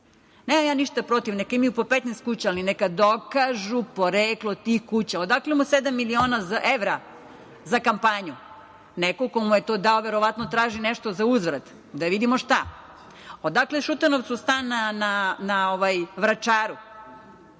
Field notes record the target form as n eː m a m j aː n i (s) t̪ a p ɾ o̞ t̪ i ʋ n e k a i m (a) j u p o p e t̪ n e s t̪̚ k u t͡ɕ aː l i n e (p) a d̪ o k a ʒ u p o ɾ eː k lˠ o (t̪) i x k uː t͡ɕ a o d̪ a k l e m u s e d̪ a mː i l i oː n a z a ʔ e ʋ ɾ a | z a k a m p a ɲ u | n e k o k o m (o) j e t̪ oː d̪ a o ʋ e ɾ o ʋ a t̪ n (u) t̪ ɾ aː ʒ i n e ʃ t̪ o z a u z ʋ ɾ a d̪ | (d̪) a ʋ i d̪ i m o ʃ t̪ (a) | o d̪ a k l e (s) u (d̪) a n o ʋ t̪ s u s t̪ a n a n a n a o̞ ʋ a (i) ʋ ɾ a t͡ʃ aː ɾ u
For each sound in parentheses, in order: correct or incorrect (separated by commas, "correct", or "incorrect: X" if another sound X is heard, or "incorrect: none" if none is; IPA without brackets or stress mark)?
incorrect: ʃ, incorrect: i, incorrect: k, correct, incorrect: u, incorrect: o, correct, correct, incorrect: ʃ, incorrect: t̪, incorrect: j